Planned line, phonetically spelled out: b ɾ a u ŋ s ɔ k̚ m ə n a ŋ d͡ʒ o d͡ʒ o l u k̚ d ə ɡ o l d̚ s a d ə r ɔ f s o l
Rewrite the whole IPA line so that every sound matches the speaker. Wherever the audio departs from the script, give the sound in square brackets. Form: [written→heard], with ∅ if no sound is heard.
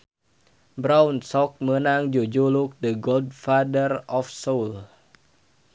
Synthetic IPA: b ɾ a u [ŋ→n] s ɔ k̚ m ə n a ŋ d͡ʒ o d͡ʒ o l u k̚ d ə ɡ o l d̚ [s→f] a d ə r ɔ f s o l